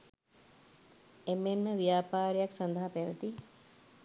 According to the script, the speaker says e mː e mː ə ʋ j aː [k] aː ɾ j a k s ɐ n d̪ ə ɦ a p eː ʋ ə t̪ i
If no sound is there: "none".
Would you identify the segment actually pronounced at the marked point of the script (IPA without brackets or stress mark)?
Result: p